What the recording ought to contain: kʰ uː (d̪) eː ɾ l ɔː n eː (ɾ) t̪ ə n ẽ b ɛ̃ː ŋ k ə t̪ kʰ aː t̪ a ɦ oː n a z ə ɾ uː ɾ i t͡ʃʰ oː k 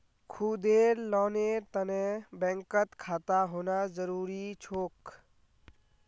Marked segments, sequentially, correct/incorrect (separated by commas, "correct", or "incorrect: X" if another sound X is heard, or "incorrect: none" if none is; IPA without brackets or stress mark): correct, correct